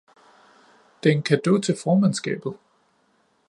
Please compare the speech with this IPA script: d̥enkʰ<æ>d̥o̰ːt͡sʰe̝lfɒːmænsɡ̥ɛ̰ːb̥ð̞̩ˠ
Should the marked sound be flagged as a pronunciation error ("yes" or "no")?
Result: no